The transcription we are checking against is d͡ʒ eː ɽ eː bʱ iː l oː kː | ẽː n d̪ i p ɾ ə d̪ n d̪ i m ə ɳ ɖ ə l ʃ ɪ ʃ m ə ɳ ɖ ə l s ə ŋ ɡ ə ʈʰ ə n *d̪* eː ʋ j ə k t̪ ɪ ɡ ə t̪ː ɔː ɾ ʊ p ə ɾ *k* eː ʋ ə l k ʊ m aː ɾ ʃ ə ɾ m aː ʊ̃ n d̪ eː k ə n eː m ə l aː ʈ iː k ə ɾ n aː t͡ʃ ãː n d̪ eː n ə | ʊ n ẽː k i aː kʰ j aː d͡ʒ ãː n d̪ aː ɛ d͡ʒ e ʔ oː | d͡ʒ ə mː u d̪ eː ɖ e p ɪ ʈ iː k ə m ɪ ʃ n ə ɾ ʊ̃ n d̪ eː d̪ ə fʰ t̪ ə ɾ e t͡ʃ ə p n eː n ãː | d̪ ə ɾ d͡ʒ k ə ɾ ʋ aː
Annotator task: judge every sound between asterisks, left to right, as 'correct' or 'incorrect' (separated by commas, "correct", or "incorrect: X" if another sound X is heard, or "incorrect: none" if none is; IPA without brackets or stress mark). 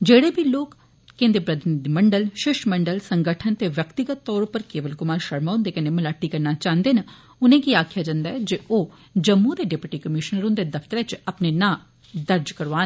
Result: incorrect: t̪, correct